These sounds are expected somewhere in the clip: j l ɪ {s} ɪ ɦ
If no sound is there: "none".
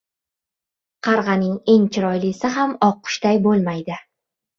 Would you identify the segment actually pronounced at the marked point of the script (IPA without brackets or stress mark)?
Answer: s